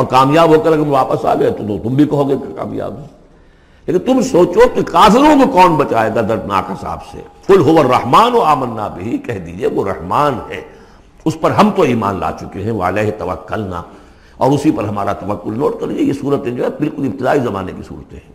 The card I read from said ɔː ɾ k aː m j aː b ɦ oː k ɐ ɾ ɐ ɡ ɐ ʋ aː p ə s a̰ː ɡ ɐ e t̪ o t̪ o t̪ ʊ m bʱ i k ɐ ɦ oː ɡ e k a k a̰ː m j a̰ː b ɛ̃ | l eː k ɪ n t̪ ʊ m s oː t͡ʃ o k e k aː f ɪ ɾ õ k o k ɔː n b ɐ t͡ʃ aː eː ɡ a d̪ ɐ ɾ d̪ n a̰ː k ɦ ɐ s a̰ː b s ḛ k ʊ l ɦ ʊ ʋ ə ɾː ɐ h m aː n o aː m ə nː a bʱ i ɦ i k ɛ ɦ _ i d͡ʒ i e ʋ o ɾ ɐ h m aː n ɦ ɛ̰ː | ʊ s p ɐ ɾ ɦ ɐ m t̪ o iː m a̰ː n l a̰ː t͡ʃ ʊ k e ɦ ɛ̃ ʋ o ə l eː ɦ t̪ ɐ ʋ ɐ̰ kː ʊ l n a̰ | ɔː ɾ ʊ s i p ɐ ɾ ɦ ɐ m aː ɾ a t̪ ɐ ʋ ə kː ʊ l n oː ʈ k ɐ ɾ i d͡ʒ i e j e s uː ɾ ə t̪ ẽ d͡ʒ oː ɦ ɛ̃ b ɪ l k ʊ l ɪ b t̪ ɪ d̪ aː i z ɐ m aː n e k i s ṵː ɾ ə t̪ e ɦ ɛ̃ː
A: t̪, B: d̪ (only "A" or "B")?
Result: B